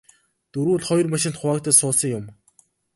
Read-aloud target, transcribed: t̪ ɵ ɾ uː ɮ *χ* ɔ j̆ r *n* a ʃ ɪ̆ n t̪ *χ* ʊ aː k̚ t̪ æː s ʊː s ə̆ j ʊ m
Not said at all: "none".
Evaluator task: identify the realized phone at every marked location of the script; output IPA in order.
χ, m, χ

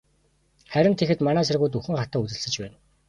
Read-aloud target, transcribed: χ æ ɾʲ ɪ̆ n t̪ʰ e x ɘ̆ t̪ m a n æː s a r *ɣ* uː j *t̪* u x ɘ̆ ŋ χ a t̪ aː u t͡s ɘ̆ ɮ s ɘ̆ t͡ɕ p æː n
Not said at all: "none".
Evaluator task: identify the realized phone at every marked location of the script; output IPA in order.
ɣ, t̪

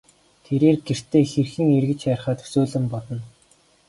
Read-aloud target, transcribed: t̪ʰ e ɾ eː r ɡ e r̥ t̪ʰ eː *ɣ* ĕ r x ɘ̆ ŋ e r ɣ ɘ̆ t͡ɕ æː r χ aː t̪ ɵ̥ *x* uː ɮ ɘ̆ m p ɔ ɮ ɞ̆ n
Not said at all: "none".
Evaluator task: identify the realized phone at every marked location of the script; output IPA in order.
x, s

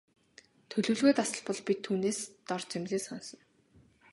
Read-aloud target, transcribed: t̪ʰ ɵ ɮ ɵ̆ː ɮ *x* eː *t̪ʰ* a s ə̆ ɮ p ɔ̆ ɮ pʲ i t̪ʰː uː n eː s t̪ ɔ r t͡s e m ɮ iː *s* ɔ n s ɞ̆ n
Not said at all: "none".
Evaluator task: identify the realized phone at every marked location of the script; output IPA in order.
ɣ, t̪, s

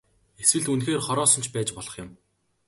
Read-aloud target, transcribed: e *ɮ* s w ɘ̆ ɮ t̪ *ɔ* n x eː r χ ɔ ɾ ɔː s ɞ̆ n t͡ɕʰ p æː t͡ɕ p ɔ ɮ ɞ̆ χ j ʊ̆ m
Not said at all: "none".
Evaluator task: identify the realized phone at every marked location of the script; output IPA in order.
none, u

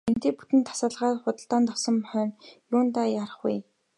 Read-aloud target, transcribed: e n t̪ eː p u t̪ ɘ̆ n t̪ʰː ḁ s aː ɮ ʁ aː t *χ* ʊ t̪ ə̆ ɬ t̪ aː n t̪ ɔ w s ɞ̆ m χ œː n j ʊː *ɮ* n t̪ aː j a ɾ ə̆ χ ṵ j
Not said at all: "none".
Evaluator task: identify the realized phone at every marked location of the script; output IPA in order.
χ, none

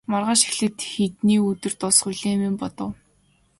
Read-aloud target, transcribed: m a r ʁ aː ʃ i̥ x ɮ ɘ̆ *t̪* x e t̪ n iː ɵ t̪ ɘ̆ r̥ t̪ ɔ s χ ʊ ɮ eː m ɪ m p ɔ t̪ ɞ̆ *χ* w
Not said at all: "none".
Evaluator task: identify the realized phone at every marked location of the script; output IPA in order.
t̪, none

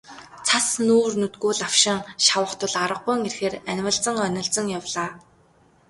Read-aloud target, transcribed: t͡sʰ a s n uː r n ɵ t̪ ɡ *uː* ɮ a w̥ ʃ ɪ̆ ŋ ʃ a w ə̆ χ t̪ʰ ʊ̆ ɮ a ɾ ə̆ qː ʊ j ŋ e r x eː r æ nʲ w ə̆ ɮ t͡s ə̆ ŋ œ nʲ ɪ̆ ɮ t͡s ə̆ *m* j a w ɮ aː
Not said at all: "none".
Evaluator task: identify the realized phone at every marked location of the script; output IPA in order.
uː, ŋ

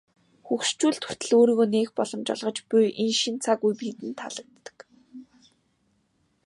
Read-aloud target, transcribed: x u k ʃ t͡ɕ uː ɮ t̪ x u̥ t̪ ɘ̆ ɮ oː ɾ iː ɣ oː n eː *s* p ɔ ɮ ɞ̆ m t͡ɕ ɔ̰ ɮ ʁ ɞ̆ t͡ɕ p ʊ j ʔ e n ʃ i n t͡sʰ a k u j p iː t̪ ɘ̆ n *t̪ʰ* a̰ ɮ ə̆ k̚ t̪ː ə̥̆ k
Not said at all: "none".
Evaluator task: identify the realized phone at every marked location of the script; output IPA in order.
x, t̪ʰ

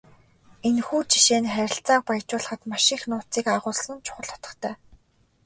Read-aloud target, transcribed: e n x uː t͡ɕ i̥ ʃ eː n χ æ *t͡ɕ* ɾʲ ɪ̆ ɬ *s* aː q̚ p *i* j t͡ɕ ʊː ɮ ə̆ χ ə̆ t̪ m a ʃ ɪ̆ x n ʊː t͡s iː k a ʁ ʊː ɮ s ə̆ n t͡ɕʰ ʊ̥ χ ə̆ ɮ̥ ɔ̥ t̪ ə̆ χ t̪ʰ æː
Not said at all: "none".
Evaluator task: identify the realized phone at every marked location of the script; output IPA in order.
none, t͡s, a

